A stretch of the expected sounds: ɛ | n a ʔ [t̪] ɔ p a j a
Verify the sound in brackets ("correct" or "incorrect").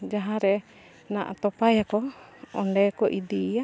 correct